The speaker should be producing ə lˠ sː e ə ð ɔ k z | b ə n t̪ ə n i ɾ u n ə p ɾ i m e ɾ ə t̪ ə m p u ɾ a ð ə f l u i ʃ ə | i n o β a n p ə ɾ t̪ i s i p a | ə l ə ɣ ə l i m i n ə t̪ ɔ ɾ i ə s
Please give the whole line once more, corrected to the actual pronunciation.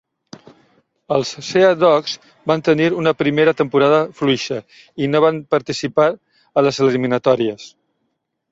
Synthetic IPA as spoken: ə lˠ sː e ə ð ɔ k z | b a n t̪ ə n i ɾ u n ə p ɾ i m e ɾ ə t̪ ə m p u ɾ a ð ə f l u i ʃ ə | i n o β a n p ə ɾ t̪ i s i p a | ə l ə z ə l i m i n ə t̪ ɔ ɾ i ə s

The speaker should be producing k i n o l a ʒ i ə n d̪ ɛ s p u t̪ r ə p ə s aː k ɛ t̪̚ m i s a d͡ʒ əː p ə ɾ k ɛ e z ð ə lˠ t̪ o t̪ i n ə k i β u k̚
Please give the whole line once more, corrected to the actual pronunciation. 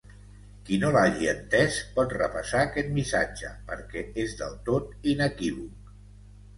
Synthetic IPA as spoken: k i n o l a ʒ i ə n t̪ ɛ s p ɔ t̪ r ə p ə s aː k ɛ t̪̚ m i s a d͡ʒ ə p ə ɾ k ɛ e z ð ə lˠ t̪ o t̪ i n ə k i β u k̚

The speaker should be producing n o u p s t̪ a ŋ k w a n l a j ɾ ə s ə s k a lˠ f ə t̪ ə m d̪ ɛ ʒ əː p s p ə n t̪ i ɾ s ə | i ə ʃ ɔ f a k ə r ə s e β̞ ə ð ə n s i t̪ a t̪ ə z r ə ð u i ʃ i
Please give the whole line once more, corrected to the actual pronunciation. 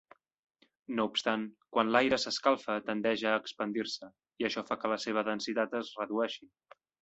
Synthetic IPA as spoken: n o u p s t̪ a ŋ k w a n l a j ɾ ə s ə s k a lˠ f ə t̪ ə n d̪ ɛ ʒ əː k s p ə n d̪ i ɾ s ə | i ə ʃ ɔ f a k ə l ə s e β̞ ə ð ə n s i t̪ a t̪ ə z r ə ð u ɛ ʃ i

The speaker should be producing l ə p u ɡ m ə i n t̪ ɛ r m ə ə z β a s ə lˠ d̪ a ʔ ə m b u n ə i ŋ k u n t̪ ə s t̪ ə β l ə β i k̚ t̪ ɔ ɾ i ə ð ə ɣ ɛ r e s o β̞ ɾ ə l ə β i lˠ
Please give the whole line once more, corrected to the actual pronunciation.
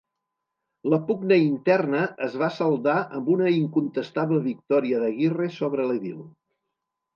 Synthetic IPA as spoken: l ə p u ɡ n ə i n t̪ ɛ r n ə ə z β a s ə lˠ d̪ a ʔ ə m b u n ə i ŋ k u n t̪ ə s t̪ a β l ə β i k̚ t̪ ɔ ɾ i ə ð ə ɣ i r e s o β̞ ɾ ə l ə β i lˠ

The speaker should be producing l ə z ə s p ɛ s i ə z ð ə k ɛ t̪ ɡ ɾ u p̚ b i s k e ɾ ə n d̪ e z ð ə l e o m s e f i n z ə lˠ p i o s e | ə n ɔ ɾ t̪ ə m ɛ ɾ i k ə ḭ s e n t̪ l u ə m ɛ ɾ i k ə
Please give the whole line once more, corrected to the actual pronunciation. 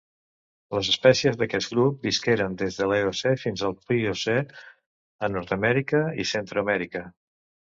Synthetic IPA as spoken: l ə z ə s p ɛ s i ə z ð ə k ɛ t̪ ɡ ɾ u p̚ b i s k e ɾ ə n d̪ e z ð ə l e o s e f i n z ə lˠ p i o s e | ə n ɔ ɾ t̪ ə m ɛ ɾ i k ə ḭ s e n t̪ ɾ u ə m ɛ ɾ i k ə

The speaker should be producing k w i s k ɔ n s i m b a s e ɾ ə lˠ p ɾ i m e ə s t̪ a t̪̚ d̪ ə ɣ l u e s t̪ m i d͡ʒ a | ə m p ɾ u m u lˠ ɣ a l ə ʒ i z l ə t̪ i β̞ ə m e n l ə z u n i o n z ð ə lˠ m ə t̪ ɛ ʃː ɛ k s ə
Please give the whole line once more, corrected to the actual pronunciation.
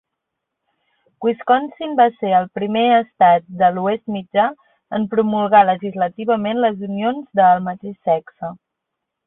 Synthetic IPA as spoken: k w i s k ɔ n s i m b a s e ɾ ə lˠ p ɾ i m e ə s t̪ a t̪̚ d̪ ə l u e s t̪ m i d͡ʒ a | ə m p ɾ u m u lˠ ɣ a l ə ʒ i z l ə t̪ i β̞ ə m e n l ə z u n i o n z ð ə lˠ m ə t̪ e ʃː ɛ k s ə

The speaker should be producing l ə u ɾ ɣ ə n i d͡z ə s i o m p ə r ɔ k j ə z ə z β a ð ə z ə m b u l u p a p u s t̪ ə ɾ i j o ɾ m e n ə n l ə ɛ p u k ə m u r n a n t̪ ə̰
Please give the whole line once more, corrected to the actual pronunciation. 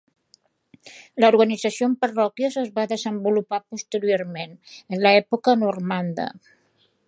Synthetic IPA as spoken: l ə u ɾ ɣ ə n i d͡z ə s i o m p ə r ɔ k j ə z ə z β a ð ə z ə m b u l u p a p u s t̪ ə ɾ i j o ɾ m e n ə n l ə ɛ p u k ə n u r m a n d̪ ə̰

